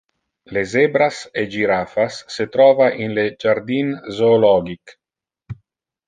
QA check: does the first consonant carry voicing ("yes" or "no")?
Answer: yes